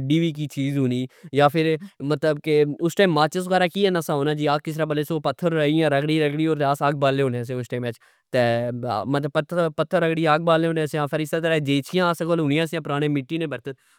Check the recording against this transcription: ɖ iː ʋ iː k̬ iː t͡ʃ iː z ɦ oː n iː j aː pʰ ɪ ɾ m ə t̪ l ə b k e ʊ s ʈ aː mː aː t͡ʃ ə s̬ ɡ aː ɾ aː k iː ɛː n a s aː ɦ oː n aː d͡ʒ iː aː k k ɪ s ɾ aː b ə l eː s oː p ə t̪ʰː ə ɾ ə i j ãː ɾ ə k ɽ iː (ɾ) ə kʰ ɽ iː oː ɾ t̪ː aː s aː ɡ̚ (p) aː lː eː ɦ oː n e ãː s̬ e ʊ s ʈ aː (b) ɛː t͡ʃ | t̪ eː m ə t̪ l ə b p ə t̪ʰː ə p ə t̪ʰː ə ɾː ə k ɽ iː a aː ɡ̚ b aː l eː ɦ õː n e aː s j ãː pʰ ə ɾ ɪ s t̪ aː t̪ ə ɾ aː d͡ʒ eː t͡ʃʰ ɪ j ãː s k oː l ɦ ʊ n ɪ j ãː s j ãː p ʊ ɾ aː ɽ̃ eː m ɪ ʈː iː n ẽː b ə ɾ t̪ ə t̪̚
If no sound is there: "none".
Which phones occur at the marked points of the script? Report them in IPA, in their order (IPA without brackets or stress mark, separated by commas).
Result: ɾ, b, m